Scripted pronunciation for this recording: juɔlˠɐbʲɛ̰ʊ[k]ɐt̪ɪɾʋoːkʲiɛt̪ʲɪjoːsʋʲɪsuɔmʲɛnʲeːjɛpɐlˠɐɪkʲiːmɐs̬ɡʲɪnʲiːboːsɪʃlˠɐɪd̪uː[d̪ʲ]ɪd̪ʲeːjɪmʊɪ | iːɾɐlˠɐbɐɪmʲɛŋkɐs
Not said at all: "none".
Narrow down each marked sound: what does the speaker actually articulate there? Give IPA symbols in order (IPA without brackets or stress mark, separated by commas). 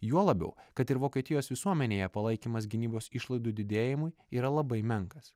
k, d̪ʲ